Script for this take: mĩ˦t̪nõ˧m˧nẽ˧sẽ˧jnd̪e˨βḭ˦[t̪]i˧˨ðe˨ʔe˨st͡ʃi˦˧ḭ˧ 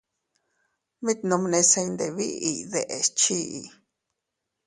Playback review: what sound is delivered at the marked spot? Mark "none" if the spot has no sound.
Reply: none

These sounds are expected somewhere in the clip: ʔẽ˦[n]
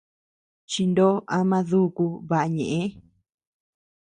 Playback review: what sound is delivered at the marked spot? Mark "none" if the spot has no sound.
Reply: none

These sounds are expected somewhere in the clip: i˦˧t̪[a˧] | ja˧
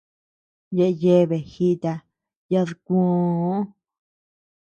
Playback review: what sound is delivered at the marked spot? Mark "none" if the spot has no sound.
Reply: a˧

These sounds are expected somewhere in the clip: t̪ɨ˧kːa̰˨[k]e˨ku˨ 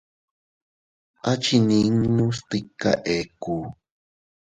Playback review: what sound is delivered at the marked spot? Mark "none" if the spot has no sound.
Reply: ʔ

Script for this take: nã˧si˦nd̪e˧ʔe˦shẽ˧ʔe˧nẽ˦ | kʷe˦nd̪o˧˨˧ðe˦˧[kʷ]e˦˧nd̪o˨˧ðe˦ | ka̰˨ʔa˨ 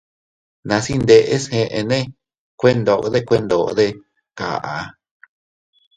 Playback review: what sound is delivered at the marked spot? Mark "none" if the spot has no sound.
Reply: kʷ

